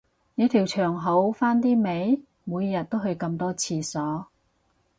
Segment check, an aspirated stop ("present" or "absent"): present